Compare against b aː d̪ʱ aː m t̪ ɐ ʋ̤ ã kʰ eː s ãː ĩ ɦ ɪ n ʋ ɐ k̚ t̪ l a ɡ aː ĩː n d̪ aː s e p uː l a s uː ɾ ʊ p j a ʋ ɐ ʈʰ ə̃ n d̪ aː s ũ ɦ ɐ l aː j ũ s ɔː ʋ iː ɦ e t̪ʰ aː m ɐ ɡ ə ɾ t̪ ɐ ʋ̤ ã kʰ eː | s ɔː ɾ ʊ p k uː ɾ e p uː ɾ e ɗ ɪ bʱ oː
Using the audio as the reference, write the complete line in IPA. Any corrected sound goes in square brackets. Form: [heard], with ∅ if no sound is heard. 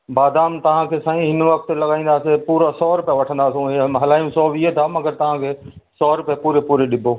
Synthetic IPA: b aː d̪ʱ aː m t̪ ɐ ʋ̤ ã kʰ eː s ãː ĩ ɦ ɪ n ʋ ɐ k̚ t̪ l [ɐ] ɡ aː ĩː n d̪ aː s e p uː [ɾ] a s [ɔː] ɾ ʊ p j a ʋ ɐ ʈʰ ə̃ n d̪ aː s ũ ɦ ɐ l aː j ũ s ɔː ʋ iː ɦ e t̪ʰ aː m ɐ ɡ ə ɾ t̪ ɐ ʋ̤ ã kʰ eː | s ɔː ɾ ʊ p [p] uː ɾ e p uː ɾ e ɗ ɪ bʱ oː

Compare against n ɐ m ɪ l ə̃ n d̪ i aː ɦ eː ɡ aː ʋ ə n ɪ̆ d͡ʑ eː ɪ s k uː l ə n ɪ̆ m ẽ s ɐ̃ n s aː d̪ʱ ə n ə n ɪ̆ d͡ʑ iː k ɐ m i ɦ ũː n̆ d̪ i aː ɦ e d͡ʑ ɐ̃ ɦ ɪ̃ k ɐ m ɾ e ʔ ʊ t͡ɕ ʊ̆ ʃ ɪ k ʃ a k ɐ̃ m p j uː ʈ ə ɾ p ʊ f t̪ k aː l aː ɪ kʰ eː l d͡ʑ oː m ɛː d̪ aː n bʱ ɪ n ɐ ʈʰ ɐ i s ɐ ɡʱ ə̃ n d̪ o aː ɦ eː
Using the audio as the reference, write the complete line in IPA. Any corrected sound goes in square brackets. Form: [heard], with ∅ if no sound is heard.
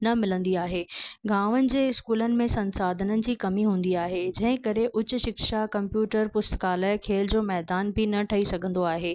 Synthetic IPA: n ɐ m ɪ l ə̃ n d̪ i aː ɦ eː ɡ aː ʋ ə n ɪ̆ d͡ʑ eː ɪ s k uː l ə n ɪ̆ m ẽ s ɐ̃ n s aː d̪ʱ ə n ə n ɪ̆ d͡ʑ iː k ɐ m i ɦ ũː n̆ d̪ i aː ɦ e d͡ʑ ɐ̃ ɦ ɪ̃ k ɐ [∅] ɾ e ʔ ʊ t͡ɕ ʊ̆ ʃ ɪ k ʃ a k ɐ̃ m p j uː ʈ ə ɾ p ʊ [s] t̪ k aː l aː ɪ kʰ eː l d͡ʑ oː m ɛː d̪ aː n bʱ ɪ n ɐ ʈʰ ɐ i s ɐ ɡʱ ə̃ n d̪ o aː ɦ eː

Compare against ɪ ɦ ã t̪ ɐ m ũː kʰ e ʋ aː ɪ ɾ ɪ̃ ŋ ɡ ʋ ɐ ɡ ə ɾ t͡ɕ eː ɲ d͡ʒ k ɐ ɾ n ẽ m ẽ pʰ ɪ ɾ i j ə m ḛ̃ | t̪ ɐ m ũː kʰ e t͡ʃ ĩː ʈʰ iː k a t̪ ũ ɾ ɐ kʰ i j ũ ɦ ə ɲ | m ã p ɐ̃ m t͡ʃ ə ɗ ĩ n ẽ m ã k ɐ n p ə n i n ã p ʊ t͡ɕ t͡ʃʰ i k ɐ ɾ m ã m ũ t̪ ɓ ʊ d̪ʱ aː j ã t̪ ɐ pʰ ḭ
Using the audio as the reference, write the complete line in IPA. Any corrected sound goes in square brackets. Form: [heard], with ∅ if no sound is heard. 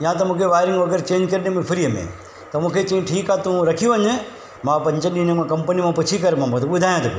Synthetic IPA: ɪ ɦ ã t̪ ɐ m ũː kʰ e ʋ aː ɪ ɾ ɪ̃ ŋ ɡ ʋ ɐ ɡ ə ɾ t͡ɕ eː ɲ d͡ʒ k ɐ ɾ n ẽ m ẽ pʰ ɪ ɾ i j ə m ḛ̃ | t̪ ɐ m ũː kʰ e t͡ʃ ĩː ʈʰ iː k a t̪ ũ ɾ ɐ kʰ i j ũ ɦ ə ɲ | m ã p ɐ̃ [ɲ] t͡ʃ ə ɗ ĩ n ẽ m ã k ɐ [m] p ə n i [m] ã p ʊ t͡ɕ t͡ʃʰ i k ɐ ɾ m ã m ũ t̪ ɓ ʊ d̪ʱ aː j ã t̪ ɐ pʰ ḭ

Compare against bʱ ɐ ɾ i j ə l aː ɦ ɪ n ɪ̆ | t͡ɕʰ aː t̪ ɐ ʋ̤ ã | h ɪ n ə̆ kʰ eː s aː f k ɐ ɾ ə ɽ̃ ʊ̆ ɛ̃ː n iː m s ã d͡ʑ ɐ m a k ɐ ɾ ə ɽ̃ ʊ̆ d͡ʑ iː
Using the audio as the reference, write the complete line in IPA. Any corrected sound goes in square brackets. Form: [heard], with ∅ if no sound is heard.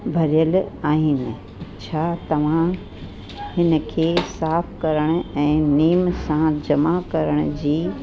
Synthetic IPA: bʱ ɐ ɾ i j ə l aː ɦ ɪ n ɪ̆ | t͡ɕʰ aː t̪ ɐ ʋ̤ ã | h ɪ n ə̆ kʰ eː s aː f k ɐ ɾ ə ɽ̃ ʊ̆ ɛ̃ː n iː m s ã d͡ʑ ɐ m a k ɐ ɾ ə ɽ̃ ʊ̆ d͡ʑ iː

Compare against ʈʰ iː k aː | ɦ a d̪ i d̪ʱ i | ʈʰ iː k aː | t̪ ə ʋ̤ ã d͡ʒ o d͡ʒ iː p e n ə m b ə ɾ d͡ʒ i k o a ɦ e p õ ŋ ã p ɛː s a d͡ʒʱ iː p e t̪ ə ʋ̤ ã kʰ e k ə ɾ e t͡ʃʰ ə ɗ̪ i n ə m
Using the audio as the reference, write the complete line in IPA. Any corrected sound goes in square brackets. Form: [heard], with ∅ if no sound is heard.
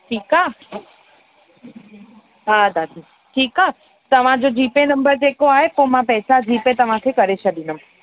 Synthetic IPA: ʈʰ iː k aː | ɦ a d̪ [a] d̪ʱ i | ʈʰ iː k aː | t̪ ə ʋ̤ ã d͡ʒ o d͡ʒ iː p e n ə m b ə ɾ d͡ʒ [e] k o a ɦ e p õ [m] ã p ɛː s a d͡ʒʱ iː p e t̪ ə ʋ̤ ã kʰ e k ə ɾ e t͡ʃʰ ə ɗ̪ i n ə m

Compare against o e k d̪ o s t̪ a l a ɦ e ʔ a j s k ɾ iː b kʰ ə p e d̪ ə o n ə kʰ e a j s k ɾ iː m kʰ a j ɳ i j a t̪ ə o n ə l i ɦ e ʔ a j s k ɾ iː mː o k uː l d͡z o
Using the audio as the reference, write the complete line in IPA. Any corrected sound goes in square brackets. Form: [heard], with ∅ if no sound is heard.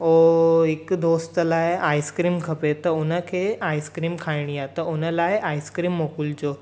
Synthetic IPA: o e k d̪ o s t̪ [ə] l a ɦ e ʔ a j s k ɾ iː [m] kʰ ə p e [t̪] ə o n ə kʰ e a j s k ɾ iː m kʰ a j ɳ i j a t̪ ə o n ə l [a] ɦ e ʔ a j s k ɾ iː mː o k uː l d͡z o

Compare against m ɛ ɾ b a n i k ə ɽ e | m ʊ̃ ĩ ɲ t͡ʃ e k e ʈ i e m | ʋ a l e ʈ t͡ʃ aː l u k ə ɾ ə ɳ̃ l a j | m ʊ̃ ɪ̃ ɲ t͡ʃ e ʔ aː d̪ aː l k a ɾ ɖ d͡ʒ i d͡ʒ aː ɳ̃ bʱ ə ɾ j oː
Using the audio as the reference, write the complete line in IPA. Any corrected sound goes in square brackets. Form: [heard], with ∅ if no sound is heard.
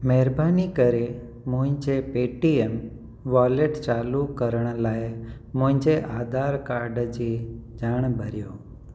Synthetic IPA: m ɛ ɾ b a n i k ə [ɾ] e | m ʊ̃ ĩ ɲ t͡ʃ e [p] e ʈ i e m | ʋ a l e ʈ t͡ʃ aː l u k ə ɾ ə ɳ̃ l a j | m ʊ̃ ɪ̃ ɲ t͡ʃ e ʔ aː d̪ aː [ɾ] k a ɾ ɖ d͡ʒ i d͡ʒ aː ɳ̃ bʱ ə ɾ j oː

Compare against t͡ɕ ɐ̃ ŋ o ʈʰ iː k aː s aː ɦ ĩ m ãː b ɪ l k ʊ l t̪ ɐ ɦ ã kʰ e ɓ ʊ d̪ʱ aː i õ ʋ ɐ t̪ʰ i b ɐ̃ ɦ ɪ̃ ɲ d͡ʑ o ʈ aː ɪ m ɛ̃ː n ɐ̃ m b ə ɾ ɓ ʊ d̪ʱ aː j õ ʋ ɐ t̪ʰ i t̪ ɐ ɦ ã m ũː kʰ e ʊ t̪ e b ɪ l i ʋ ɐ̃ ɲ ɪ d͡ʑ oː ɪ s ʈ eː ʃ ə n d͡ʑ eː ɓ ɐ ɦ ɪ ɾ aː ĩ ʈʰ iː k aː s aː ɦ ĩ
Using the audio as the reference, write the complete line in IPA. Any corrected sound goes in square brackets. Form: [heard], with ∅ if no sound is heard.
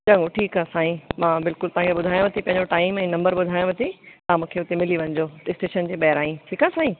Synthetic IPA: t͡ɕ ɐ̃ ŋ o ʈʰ iː k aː s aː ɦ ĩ m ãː b ɪ l k ʊ l t̪ ɐ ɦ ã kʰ e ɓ ʊ d̪ʱ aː [j] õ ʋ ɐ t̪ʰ i [p] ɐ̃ ɦ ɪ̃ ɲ d͡ʑ o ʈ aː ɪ m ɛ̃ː n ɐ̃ m b ə ɾ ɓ ʊ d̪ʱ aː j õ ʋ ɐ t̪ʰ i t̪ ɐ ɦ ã m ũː kʰ e ʊ t̪ e [m] ɪ l i ʋ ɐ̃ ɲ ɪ d͡ʑ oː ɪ s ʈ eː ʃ ə n d͡ʑ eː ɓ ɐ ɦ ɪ ɾ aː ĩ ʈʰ iː k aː s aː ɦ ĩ

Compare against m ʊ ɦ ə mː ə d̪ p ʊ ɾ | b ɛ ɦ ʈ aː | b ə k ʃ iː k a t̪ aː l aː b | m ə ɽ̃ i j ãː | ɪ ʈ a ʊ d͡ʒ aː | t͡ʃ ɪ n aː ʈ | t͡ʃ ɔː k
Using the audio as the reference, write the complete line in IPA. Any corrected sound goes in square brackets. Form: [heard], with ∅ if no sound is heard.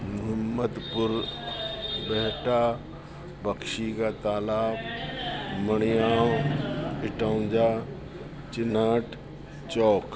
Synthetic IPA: m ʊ ɦ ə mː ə d̪ p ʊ ɾ | b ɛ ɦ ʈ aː | b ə k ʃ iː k a t̪ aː l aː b | m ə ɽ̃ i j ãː | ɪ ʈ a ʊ d͡ʒ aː | t͡ʃ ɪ n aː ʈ | t͡ʃ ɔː k

